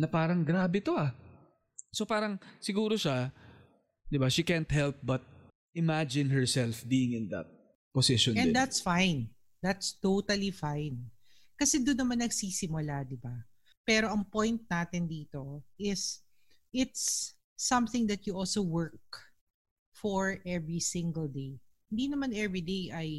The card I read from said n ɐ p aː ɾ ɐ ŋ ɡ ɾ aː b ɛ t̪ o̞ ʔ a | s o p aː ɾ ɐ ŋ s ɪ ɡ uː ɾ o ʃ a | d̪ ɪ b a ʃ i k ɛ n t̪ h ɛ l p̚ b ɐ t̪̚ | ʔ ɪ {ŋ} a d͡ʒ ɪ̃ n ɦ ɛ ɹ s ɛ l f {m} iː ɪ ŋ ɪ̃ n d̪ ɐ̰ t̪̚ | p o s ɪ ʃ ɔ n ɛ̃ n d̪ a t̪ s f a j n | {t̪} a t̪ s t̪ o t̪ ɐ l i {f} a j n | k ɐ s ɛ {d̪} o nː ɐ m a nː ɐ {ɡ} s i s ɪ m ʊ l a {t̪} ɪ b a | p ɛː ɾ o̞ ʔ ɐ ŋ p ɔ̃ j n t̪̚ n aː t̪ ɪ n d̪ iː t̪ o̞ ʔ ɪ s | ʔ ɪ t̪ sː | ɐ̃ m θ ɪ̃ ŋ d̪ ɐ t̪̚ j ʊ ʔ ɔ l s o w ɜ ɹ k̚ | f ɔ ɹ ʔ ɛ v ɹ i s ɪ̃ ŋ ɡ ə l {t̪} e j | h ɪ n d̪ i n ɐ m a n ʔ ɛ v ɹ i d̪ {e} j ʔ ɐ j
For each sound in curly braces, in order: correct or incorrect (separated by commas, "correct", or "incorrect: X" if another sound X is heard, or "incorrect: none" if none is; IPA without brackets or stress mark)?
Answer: incorrect: m, incorrect: b, incorrect: d̪, correct, correct, correct, incorrect: d̪, incorrect: d̪, correct